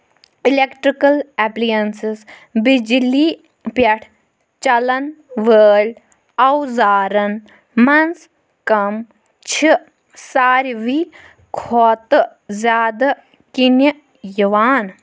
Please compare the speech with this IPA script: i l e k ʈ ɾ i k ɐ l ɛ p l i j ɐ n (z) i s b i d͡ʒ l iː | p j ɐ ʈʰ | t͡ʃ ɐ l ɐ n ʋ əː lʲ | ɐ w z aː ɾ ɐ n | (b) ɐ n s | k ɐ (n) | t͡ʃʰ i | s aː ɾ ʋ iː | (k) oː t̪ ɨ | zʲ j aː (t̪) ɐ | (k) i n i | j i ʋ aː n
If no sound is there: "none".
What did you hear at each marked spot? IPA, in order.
s, m, m, kʰ, d̪, k

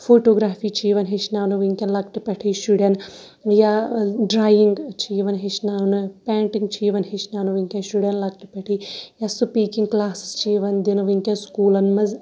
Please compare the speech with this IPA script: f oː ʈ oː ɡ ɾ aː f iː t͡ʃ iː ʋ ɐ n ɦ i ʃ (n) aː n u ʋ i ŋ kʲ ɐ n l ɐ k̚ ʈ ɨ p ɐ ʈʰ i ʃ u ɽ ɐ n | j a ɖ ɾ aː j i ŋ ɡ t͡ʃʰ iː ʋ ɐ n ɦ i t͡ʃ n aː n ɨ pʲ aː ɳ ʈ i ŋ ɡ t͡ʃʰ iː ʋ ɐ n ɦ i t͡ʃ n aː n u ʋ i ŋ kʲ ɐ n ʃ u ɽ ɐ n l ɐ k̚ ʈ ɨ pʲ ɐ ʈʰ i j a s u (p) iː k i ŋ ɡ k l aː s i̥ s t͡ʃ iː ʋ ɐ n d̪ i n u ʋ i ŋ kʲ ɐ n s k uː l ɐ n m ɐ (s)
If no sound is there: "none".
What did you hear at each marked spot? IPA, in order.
n, p, z

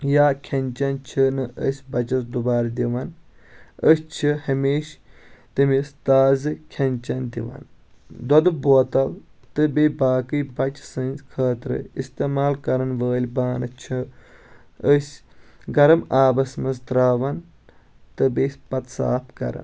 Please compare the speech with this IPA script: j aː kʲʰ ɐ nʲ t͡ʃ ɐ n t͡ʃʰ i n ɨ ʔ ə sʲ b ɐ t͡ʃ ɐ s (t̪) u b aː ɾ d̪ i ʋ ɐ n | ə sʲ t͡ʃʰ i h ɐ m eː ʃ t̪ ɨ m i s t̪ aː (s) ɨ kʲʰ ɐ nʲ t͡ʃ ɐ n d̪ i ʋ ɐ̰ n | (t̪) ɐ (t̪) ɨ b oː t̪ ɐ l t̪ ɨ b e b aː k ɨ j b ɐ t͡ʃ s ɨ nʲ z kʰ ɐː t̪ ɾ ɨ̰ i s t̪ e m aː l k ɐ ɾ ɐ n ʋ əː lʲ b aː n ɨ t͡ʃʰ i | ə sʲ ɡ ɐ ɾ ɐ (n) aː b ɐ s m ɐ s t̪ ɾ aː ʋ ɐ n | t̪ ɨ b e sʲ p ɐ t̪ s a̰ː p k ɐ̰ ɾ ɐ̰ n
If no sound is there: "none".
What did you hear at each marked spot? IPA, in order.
d̪, z, d̪, d̪, m

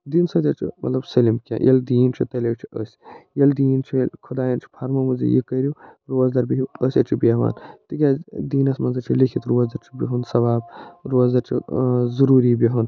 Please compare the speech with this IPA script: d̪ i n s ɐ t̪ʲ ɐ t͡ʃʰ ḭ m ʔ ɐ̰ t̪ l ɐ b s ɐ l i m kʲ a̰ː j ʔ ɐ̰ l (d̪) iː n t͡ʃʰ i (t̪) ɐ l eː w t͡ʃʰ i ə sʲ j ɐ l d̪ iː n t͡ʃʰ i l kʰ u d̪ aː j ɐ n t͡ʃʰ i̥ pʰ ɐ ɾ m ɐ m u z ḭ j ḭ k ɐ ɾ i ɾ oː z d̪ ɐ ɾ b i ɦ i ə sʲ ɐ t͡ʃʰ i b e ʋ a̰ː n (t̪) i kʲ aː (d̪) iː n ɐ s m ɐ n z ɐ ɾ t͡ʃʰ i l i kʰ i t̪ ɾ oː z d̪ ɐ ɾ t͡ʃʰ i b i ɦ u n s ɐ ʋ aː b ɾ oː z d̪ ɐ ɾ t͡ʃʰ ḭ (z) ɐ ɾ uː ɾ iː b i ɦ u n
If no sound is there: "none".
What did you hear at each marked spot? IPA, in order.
d̪, t̪, t̪, d̪, z

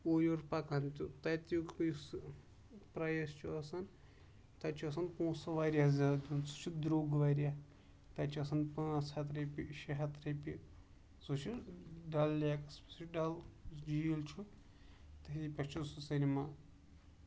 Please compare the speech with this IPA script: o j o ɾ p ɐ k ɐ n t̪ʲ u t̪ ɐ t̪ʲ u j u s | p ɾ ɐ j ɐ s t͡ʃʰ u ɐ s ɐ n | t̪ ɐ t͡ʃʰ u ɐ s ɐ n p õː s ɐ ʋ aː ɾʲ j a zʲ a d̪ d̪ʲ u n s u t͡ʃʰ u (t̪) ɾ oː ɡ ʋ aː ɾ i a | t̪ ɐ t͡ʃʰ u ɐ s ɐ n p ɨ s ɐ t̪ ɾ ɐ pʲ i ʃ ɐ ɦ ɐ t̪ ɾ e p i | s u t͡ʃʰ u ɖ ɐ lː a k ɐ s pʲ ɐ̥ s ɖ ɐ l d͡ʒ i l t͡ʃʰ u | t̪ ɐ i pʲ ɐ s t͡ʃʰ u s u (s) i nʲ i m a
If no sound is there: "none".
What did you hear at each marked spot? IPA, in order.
d̪, s

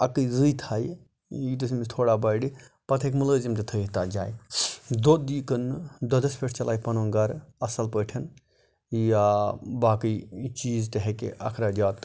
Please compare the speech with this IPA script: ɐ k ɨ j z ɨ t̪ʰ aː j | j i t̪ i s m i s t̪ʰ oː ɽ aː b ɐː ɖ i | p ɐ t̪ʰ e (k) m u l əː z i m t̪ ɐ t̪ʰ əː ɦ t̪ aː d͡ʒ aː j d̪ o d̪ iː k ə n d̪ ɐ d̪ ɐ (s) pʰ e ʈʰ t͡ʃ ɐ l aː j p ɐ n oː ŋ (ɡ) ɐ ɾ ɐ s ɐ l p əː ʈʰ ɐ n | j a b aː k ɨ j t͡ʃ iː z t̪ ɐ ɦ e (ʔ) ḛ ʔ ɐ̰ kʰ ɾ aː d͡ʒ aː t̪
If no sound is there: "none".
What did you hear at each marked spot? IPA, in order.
k, s, ɡ, k

